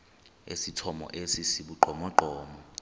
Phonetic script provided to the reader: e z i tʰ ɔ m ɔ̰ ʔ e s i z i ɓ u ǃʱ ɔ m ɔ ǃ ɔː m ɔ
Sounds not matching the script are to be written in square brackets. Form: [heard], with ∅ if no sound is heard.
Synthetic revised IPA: e [s] i tʰ ɔ m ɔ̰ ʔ e s i [s] i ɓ u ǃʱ ɔ m ɔ ǃ ɔː m ɔ